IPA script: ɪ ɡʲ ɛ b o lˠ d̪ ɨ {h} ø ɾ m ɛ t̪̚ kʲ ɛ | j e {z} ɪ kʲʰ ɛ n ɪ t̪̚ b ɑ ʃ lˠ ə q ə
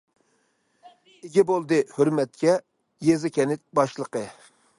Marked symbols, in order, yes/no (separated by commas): yes, yes